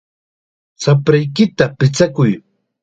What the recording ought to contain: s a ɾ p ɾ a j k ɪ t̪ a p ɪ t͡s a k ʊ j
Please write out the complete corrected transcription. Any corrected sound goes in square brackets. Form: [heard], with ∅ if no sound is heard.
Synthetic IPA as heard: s a [∅] p ɾ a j k ɪ t̪ a p ɪ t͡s a k ʊ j